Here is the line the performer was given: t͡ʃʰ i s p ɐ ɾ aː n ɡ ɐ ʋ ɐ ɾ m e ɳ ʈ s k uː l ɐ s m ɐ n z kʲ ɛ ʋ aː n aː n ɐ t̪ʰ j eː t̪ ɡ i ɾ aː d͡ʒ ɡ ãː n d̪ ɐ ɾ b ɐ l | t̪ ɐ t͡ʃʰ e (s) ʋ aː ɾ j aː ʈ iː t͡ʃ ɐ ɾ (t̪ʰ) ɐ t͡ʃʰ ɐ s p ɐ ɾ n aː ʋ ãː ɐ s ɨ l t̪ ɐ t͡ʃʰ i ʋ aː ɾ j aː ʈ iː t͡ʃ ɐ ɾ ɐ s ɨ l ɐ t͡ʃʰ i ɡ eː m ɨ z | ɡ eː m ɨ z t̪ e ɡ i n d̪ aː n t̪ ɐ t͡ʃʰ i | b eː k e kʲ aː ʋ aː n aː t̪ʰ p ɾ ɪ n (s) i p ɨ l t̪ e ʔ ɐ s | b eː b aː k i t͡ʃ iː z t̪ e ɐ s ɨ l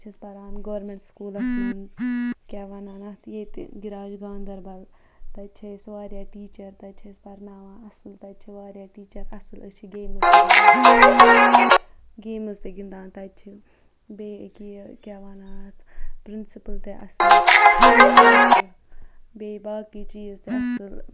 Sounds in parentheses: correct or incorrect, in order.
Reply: correct, incorrect, correct

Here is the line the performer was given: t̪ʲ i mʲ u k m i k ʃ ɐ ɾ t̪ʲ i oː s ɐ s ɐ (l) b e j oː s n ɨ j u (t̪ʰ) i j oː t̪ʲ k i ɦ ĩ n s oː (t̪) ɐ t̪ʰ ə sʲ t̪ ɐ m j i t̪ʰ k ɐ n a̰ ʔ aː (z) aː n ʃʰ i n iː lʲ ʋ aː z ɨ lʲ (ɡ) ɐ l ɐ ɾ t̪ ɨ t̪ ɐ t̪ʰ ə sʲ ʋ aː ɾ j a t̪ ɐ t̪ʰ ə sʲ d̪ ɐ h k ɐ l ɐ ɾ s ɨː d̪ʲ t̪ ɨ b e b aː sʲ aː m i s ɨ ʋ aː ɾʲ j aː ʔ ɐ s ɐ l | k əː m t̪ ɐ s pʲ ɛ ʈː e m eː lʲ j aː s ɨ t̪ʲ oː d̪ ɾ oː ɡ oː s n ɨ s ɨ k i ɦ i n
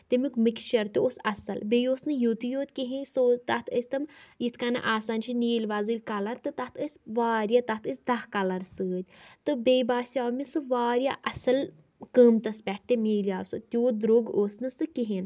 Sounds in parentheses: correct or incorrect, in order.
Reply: correct, incorrect, correct, incorrect, incorrect

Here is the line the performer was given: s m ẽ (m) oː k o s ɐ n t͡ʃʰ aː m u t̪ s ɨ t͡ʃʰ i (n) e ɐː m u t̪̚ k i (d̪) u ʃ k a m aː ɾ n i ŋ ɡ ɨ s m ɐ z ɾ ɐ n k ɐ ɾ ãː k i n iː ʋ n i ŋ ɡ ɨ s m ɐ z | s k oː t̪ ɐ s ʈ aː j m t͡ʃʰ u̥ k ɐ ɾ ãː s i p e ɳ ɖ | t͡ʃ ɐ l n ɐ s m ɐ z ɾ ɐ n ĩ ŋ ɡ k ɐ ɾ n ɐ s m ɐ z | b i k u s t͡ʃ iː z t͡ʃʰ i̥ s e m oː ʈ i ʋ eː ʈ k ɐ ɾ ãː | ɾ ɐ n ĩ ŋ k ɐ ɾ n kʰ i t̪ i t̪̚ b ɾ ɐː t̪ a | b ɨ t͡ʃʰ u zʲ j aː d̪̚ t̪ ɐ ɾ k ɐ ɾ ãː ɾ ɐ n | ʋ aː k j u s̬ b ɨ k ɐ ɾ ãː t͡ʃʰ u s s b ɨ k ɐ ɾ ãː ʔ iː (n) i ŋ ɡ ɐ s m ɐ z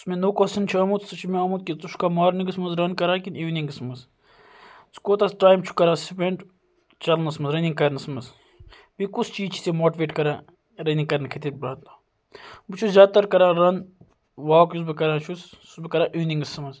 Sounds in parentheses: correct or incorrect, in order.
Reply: incorrect, incorrect, incorrect, correct

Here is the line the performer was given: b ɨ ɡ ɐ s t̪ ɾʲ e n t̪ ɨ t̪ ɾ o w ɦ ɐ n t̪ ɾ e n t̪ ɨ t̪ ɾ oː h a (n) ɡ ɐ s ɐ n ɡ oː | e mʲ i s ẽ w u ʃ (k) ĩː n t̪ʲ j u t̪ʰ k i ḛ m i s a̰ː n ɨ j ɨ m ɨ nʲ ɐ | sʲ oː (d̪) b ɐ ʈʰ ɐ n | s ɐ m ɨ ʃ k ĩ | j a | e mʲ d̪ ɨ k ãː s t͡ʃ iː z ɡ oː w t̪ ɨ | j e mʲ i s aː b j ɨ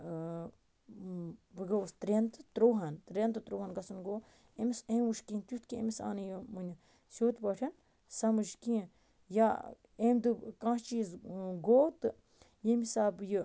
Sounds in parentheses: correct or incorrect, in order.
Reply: correct, correct, incorrect

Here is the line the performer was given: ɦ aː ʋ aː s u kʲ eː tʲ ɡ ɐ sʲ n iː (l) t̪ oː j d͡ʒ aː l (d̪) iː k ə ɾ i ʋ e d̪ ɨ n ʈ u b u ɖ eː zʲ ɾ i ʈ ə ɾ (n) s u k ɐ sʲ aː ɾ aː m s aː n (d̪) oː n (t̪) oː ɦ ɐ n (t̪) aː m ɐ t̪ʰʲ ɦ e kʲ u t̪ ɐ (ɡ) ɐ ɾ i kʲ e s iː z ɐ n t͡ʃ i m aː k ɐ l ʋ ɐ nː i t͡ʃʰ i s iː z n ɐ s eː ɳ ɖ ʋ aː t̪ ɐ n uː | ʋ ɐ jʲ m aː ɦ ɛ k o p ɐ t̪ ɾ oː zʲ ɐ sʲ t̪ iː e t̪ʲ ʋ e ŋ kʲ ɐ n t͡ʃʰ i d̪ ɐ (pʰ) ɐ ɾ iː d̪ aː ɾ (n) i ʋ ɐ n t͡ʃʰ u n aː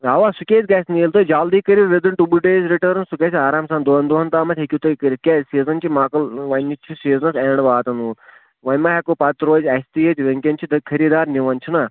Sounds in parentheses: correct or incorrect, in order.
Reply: correct, correct, correct, correct, incorrect, correct, incorrect, incorrect, correct

